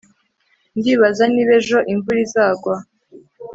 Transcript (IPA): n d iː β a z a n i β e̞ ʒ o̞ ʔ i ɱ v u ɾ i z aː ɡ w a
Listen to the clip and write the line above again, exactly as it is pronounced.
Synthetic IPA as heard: n d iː β a z a n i β e̞ ʒ o̞ ʔ i ɱ v u ɾ i z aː ɡ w a